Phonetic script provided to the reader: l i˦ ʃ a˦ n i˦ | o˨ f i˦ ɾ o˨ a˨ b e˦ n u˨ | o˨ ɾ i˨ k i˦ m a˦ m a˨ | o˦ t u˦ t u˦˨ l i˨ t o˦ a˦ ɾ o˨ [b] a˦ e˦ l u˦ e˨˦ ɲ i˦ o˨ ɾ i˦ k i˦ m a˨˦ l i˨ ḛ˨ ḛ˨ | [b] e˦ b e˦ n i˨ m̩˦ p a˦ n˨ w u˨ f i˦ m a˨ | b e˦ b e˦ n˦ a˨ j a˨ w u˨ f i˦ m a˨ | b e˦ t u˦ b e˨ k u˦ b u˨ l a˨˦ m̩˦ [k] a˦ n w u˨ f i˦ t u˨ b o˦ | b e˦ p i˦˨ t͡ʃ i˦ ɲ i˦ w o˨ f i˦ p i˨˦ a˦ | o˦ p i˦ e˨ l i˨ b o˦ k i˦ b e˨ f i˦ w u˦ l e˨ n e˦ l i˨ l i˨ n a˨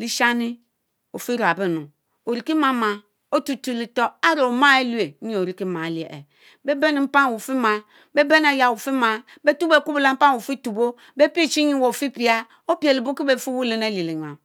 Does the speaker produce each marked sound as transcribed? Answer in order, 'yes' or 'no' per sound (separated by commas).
no, yes, no